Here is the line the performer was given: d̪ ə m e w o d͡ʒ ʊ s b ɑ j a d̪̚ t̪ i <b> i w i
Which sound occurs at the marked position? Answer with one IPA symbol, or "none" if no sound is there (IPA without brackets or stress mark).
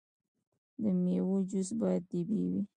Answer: b